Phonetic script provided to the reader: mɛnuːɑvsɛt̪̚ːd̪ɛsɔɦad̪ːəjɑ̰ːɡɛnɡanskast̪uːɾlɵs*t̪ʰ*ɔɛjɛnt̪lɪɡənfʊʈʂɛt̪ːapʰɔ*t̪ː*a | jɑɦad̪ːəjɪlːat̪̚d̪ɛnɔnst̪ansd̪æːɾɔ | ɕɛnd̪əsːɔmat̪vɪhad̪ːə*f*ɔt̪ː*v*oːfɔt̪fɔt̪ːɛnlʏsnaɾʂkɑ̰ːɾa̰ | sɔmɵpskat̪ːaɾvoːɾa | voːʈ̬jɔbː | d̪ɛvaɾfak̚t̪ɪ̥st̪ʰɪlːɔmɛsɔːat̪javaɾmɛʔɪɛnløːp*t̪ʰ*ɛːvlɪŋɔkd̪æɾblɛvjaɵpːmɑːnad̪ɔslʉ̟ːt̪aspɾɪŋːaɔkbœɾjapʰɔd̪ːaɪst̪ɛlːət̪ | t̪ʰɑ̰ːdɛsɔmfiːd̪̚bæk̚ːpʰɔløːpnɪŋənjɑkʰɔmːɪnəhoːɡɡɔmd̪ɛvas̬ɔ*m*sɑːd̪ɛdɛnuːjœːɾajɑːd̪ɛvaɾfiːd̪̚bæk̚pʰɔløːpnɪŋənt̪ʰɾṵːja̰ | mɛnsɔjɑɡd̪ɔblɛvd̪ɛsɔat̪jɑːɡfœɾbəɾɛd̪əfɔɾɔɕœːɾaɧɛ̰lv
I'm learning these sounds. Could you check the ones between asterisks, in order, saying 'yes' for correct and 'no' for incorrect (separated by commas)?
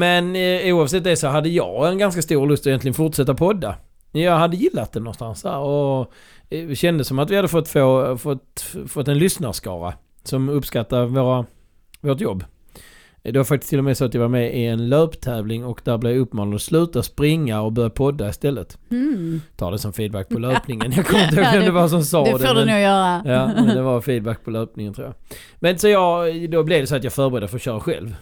no, no, yes, no, yes, yes